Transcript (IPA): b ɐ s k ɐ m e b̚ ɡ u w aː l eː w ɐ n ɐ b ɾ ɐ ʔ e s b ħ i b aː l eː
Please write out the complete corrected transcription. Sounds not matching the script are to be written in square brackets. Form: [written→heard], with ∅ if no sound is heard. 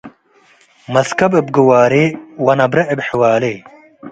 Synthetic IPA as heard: [b→m] ɐ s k ɐ [m→b] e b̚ ɡ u w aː [l→ɾ] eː w ɐ n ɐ b ɾ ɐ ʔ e [s→∅] b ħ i [b→w] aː l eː